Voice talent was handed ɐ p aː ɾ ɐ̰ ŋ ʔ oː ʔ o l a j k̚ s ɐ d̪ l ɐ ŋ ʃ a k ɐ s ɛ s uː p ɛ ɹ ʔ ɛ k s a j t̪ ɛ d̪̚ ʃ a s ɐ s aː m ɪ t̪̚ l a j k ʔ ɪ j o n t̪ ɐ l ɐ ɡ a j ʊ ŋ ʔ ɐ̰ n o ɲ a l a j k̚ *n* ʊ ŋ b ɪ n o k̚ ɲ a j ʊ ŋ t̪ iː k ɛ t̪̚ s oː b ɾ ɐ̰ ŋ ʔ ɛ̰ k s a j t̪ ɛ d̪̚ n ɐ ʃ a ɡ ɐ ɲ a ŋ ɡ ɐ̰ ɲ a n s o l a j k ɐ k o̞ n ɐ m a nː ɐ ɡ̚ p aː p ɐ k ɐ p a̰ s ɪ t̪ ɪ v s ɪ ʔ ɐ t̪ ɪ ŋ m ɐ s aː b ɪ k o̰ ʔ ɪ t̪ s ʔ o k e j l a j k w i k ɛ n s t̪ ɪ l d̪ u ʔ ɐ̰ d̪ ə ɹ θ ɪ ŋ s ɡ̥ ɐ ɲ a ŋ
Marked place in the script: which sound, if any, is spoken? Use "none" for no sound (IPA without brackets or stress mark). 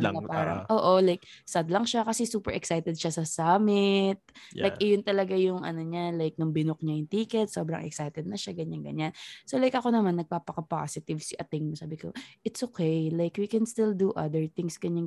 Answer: n